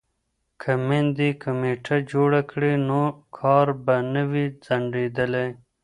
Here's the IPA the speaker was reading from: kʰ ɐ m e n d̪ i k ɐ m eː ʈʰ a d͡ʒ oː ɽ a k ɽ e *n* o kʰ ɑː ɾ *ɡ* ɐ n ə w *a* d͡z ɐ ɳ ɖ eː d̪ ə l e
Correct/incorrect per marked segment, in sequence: correct, incorrect, incorrect

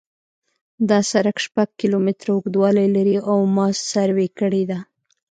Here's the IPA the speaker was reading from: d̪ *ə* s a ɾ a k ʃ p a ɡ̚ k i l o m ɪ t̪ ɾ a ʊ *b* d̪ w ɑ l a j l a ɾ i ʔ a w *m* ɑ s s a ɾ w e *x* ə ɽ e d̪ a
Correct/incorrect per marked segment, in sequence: incorrect, incorrect, correct, incorrect

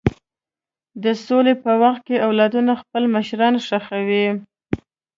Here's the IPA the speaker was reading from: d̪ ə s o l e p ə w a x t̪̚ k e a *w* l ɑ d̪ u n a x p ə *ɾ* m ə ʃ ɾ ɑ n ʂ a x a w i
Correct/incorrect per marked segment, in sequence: correct, incorrect

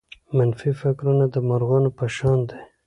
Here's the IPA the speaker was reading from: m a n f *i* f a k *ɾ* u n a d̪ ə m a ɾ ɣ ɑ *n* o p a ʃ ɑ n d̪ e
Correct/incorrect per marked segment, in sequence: correct, correct, correct

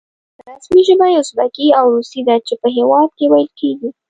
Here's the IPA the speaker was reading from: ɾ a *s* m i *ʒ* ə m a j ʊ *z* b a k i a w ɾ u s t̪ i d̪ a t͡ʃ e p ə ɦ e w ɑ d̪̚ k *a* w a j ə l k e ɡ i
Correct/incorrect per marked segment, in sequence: correct, correct, incorrect, incorrect

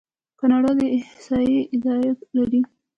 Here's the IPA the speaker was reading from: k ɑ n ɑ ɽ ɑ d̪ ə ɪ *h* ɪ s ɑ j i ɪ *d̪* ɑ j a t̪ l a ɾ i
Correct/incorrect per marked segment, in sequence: correct, correct

